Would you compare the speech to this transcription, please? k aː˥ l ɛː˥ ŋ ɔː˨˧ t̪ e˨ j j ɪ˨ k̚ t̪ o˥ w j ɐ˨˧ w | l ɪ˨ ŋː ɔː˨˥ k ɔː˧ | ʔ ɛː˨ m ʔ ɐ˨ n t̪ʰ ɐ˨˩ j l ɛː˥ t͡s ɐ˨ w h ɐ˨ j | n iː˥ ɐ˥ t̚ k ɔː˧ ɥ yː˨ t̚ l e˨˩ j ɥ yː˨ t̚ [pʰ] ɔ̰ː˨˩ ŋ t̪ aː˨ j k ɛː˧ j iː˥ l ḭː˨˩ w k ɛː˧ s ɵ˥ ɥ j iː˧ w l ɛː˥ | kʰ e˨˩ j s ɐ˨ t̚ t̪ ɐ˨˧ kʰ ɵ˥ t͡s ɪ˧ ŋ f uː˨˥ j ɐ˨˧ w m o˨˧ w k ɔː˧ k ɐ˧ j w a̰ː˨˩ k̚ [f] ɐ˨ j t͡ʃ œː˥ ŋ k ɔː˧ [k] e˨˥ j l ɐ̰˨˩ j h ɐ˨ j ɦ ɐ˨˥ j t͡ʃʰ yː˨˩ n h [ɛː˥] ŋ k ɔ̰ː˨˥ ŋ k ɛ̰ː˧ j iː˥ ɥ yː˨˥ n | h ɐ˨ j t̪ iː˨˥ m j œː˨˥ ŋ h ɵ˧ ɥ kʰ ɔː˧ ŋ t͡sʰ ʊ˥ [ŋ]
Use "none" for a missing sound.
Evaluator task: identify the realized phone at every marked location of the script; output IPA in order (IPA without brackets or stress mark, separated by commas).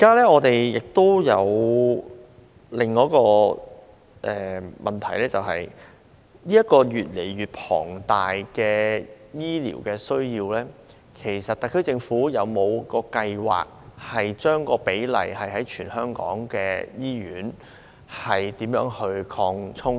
pʰ, h, p, œː˥, ŋ